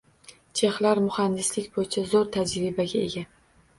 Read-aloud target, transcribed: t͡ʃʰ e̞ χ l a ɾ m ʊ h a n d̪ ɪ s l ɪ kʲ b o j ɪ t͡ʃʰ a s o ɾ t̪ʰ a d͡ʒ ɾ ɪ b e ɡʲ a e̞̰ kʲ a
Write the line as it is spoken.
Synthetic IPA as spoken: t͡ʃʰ e̞ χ l a ɾ m ʊ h a n d̪ ɪ s l ɪ kʲ b o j ɪ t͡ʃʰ a z o ɾ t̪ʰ a d͡ʒ ɾ ɪ b a ɡʲ a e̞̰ ɡʲ a